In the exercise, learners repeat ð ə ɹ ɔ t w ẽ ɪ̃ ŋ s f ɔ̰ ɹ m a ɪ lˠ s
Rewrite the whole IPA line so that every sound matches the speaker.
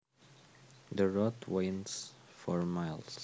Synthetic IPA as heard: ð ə ɹ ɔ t w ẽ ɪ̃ n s f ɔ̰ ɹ m a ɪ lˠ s